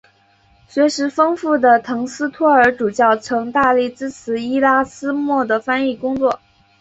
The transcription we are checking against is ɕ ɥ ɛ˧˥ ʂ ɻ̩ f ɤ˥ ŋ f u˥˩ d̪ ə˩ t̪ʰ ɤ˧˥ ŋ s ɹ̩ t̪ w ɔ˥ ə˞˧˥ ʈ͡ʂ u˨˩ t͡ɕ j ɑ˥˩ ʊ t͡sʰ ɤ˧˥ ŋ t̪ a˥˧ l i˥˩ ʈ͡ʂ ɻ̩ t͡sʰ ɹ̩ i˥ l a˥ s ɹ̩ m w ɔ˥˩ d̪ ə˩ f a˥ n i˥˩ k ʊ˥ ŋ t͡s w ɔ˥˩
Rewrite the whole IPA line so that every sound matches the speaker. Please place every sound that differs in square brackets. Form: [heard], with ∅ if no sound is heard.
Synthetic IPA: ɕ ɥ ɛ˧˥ ʂ ɻ̩ f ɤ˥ ŋ f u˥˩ d̪ ə˩ t̪ʰ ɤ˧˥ ŋ s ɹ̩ [t̪ʰ] w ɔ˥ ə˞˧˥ ʈ͡ʂ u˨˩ t͡ɕ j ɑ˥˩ ʊ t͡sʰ ɤ˧˥ ŋ t̪ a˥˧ l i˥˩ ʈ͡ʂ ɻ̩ t͡sʰ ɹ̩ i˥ l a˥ s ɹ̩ m w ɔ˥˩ d̪ ə˩ f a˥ n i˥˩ k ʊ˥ ŋ t͡s w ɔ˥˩